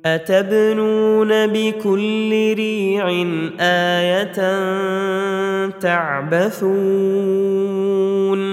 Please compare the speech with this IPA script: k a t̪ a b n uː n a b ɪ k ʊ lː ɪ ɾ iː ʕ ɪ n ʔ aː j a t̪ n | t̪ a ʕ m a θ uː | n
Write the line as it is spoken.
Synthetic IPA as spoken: ʔ a t̪ a b n uː n a b ɪ k ʊ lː ɪ ɾ iː ʕ ɪ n ʔ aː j a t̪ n | t̪ a ʕ b a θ uː | n